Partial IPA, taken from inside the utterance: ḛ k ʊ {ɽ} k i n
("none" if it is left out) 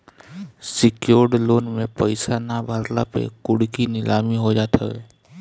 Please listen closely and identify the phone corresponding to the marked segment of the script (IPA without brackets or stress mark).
ɽ